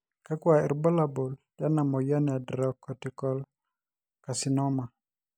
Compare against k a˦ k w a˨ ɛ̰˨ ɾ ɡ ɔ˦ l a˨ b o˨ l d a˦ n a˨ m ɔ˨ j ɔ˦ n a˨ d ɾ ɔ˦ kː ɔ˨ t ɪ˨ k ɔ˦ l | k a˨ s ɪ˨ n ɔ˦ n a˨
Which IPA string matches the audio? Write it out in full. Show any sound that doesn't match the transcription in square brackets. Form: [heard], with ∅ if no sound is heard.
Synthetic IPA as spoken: k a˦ k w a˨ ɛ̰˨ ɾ [b] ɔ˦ l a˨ b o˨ l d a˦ n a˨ m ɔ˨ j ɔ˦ n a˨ d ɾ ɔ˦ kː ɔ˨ t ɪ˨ k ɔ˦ l | k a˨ s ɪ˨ n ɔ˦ [m] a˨